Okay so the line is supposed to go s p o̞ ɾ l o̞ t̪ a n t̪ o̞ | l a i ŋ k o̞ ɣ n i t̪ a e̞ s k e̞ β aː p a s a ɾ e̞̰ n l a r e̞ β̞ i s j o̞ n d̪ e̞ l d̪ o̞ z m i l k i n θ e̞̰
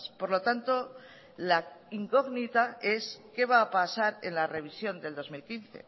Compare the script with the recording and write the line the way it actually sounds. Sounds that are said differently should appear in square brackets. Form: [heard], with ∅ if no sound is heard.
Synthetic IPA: s p o̞ ɾ l o̞ t̪ a n t̪ o̞ | l a i ŋ k o̞ ɣ n i t̪ a e̞ s k e̞ β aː p a s a ɾ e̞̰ n l a r e̞ β̞ i s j o̞ n d̪ e̞ l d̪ o̞ z m i l k i n θ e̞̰